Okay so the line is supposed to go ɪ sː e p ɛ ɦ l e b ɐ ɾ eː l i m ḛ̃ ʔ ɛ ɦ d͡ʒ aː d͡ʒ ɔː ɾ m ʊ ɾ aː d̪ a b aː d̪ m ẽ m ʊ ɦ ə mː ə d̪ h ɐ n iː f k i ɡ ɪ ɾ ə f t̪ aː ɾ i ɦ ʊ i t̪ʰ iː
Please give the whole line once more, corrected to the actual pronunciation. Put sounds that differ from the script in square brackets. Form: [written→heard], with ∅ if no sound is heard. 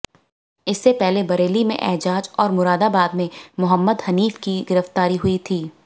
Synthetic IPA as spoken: ɪ sː e p ɛ ɦ l e b ɐ ɾ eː l i m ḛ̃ ʔ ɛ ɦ d͡ʒ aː d͡ʒ ɔː ɾ m ʊ ɾ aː d̪ a b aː d̪ m ẽ m ʊ ɦ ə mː ə d̪ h ɐ n iː f k i ɡ ɪ ɾ ə f t̪ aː ɾ i ɦ ʊ i t̪ʰ iː